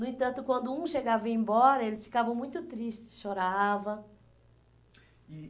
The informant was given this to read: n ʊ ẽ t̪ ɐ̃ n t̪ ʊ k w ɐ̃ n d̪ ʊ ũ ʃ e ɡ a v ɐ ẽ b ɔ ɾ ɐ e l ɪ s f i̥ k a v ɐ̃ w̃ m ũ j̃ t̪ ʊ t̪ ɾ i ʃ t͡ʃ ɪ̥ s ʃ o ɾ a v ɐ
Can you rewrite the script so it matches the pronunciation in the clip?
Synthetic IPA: n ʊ ẽ t̪ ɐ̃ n t̪ ʊ k w ɐ̃ n d̪ ʊ ũ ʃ e ɡ a v ɐ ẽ b ɔ ɾ ɐ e l ɪ s f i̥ k a v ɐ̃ w̃ m ũ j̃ t̪ ʊ t̪ ɾ i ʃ t͡ʃ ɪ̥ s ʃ o ɾ a v ɐ